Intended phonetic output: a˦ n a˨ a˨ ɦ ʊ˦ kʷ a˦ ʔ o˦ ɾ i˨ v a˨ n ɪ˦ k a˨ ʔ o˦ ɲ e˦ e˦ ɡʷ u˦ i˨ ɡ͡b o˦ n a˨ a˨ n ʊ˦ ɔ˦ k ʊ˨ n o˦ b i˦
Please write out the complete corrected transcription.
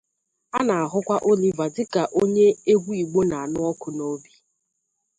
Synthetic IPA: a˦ n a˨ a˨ ɦ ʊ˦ kʷ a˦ ʔ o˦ l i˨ v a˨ d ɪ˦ k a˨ ʔ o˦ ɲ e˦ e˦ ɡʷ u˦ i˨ ɡ͡b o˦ n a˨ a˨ n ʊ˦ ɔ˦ k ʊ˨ n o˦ b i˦